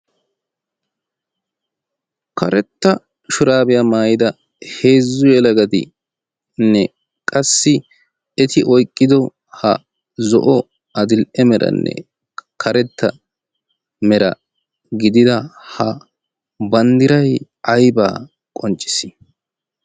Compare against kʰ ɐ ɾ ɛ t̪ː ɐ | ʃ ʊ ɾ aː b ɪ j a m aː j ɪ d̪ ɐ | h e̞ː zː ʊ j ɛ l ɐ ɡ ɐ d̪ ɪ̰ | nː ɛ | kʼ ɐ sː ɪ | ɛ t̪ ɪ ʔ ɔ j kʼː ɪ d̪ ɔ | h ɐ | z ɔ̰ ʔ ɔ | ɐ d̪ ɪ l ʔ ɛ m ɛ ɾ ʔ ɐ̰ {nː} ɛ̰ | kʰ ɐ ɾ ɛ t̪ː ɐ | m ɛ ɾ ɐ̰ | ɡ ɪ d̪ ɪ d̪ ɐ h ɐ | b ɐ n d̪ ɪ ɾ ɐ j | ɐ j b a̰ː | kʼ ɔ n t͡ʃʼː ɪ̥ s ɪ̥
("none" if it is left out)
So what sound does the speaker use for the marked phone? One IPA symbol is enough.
nː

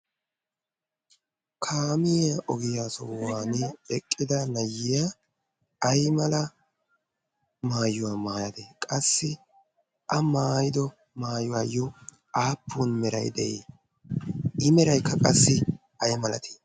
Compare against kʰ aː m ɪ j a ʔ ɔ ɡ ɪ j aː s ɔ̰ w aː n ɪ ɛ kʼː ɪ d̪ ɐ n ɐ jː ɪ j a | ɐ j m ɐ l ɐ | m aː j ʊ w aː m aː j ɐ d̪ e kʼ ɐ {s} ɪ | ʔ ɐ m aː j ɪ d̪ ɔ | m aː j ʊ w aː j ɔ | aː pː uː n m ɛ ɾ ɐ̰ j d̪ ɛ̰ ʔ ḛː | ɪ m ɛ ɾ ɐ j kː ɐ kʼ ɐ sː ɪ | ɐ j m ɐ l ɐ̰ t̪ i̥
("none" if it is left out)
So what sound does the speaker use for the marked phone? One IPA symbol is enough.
sː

